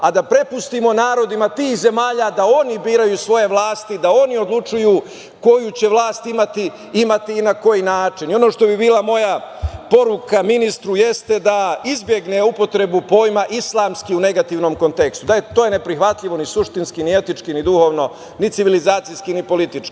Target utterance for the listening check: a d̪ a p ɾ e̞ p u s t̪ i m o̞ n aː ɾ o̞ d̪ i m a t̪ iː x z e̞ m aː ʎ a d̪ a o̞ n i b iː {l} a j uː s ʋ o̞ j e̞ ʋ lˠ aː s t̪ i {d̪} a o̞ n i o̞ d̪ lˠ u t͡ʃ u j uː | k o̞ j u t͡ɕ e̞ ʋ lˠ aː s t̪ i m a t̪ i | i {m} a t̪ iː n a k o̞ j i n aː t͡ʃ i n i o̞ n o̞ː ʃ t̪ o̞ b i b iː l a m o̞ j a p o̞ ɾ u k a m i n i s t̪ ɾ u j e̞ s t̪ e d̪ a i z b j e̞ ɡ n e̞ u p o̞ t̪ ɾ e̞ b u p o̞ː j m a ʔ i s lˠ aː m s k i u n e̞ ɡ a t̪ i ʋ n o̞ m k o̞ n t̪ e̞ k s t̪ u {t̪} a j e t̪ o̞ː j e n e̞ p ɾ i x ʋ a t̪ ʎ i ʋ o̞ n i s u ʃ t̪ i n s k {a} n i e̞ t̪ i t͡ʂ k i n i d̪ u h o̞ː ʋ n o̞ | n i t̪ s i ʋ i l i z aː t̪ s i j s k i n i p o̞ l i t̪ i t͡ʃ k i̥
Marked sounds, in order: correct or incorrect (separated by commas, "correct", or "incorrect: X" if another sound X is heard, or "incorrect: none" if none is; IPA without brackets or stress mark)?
incorrect: ɾ, correct, correct, incorrect: d̪, incorrect: i